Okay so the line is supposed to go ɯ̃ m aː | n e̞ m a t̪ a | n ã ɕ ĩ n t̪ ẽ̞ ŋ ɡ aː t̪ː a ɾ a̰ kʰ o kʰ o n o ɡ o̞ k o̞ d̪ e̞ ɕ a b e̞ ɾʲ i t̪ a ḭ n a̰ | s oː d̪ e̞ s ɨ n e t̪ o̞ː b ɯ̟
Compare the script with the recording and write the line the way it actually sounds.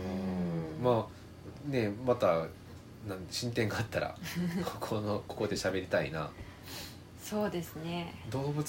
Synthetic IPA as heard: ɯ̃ m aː | n e̞ m a t̪ a | n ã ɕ ĩ n t̪ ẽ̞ ŋ ɡ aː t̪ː a ɾ a̰ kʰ o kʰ o n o k o̞ k o̞ d̪ e̞ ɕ a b e̞ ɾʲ i t̪ a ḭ n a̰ | s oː d̪ e̞ s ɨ n e d̪ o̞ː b ɯ̟